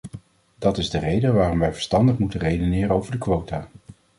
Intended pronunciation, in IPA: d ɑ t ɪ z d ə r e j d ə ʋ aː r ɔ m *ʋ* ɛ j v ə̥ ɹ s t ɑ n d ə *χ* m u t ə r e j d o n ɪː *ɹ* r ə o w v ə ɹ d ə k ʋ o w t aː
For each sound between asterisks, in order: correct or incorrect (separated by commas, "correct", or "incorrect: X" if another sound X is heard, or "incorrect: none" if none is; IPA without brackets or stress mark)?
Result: correct, correct, incorrect: none